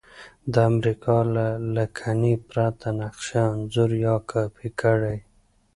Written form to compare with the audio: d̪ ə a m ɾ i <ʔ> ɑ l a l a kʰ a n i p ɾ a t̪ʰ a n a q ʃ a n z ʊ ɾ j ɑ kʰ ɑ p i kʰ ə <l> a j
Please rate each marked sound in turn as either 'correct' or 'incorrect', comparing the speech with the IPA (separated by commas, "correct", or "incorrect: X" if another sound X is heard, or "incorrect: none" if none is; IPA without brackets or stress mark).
incorrect: k, incorrect: ɽ